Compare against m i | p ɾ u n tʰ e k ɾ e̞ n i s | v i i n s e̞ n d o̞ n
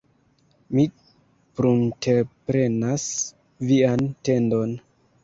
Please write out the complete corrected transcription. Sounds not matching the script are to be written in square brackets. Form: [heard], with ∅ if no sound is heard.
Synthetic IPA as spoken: m i | p ɾ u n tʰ e [p] ɾ e̞ n [a] s | v i [a] n [t] e̞ n d o̞ n